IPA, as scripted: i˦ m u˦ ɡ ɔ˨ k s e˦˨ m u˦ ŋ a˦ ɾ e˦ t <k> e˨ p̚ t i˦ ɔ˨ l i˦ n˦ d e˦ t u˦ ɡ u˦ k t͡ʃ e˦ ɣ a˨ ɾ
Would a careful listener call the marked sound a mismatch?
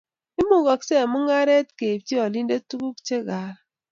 no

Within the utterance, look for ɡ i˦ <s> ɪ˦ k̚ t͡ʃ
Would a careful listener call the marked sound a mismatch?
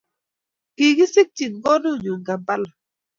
no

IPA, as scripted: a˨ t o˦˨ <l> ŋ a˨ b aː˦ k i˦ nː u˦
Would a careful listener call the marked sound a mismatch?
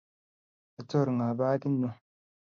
yes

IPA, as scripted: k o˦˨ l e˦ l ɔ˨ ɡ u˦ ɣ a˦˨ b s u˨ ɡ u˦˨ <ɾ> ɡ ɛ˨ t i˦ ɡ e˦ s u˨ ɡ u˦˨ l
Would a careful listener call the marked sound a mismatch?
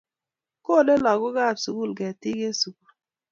yes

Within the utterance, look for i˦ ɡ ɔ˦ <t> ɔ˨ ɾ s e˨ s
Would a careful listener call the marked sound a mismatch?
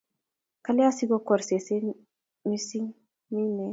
yes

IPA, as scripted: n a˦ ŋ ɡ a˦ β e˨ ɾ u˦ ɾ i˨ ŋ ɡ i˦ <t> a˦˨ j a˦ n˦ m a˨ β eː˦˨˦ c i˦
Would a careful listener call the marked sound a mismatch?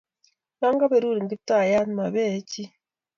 no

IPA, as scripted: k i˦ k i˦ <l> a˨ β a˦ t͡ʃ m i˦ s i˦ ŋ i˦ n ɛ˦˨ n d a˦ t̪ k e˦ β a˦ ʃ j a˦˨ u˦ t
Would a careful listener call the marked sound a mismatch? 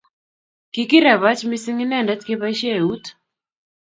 yes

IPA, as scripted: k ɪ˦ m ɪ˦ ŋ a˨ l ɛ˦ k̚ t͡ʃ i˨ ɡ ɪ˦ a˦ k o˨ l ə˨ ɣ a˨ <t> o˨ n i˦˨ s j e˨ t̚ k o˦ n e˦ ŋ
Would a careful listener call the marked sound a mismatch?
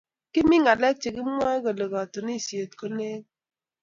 no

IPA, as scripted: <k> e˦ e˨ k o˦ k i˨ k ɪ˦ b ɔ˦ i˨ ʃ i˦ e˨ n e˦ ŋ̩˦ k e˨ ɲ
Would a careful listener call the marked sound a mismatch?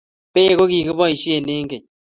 yes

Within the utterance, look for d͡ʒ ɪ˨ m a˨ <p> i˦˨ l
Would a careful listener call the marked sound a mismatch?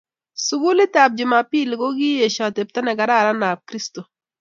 no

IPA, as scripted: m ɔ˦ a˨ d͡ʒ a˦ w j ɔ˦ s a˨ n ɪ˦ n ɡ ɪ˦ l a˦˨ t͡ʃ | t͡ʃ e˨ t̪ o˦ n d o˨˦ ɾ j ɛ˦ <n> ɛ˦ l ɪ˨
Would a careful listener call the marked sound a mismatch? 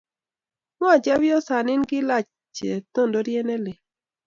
no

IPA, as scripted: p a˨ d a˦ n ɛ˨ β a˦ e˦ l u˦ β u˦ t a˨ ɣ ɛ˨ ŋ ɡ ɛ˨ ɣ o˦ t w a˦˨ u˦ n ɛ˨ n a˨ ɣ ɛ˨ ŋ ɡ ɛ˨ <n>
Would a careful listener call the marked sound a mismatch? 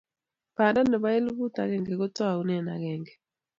yes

